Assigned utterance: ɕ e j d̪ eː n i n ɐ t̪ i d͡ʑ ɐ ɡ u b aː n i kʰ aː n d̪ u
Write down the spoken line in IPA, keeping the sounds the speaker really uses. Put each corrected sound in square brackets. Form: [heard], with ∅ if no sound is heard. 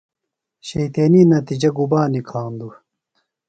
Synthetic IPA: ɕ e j [t̪] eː n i n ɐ t̪ i d͡ʑ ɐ ɡ u b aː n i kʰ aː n d̪ u